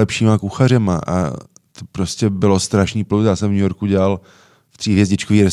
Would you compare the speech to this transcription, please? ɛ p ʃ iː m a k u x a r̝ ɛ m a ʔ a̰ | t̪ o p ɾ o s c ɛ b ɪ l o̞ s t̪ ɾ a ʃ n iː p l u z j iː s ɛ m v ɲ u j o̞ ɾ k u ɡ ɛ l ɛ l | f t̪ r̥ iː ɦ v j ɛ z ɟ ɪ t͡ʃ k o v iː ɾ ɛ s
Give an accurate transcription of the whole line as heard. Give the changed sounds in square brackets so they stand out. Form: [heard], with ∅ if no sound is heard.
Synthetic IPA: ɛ p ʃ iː m a k u x a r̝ ɛ m a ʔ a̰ | t̪ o p ɾ o s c ɛ b ɪ l o̞ s t̪ ɾ a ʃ n iː p l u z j [aː] s ɛ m v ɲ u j o̞ ɾ k u [ɟ] ɛ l [a] l | f t̪ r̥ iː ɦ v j ɛ z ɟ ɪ t͡ʃ k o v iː ɾ ɛ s